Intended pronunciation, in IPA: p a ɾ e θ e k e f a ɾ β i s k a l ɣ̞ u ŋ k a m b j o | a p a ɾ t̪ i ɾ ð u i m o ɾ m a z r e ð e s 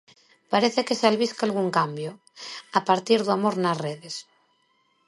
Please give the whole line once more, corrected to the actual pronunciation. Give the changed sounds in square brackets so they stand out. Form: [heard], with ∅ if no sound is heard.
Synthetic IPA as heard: p a ɾ e θ e k e [s] a [l] β i s k a l ɣ̞ u ŋ k a m b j o | a p a ɾ t̪ i ɾ ð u [a] m o ɾ [n] a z r e ð e s